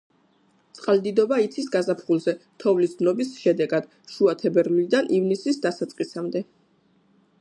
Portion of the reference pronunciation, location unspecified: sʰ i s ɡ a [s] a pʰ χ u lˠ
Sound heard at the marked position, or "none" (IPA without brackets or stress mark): z